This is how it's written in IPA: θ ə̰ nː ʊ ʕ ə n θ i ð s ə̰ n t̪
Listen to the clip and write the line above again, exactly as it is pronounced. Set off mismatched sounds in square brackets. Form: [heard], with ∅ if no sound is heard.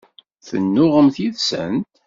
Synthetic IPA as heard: θ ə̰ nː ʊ [ʁ] ə [m] θ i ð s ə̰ n t̪